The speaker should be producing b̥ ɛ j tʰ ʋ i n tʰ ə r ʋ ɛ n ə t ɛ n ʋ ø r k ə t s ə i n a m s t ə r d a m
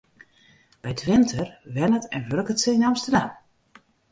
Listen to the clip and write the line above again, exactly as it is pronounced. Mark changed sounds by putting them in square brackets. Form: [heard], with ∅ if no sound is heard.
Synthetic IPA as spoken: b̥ ɛ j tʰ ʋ [ɪ] n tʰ ə r ʋ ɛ n ə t ɛ n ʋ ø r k ə t s ə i n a m s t ə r d a m